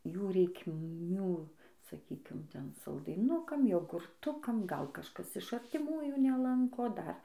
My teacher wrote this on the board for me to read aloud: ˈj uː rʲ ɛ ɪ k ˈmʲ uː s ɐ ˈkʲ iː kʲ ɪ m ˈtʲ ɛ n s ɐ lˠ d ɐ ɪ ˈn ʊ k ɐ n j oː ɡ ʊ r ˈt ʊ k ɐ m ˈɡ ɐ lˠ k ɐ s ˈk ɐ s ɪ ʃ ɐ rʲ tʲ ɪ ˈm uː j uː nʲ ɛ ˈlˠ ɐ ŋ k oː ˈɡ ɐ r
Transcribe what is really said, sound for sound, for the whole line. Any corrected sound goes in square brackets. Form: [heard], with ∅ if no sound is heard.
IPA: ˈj uː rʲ ɛ ɪ k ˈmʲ uː s ɐ ˈkʲ iː kʲ ɪ m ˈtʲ ɛ n s ɐ lˠ d ɐ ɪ ˈn ʊ k ɐ [m] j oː ɡ ʊ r ˈt ʊ k ɐ m ˈɡ ɐ lˠ k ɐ [ʃ] ˈk ɐ s ɪ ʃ ɐ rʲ tʲ ɪ ˈm uː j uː nʲ ɛ ˈlˠ ɐ ŋ k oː [ˈd] ɐ r